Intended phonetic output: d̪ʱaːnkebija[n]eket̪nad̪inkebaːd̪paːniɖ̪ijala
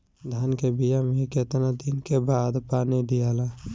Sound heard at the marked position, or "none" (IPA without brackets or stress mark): m